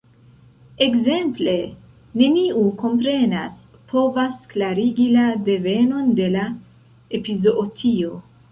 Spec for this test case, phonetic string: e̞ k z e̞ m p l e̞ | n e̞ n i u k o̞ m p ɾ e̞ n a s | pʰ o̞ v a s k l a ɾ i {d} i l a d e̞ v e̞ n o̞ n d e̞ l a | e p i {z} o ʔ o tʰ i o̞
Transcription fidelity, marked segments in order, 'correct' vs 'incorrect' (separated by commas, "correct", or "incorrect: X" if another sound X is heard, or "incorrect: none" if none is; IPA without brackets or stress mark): incorrect: ɡ, correct